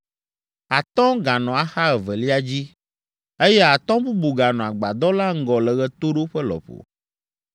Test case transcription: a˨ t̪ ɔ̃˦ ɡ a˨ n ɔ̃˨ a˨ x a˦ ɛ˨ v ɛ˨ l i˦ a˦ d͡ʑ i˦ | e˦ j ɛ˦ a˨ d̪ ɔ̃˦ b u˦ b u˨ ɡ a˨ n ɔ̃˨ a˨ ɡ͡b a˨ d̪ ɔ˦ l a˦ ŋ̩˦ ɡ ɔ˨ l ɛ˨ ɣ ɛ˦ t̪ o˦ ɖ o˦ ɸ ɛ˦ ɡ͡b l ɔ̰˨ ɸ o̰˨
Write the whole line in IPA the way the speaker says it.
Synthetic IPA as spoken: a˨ t̪ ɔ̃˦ ɡ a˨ n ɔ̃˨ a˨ x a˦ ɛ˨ v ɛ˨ l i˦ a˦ d͡ʑ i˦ | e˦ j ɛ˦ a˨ t̪ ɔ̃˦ b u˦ b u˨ ɡ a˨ n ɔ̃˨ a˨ ɡ͡b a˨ d̪ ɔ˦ l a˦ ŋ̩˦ ɡ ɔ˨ l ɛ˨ ɣ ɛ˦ t̪ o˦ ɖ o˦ ɸ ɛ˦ l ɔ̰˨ ɸ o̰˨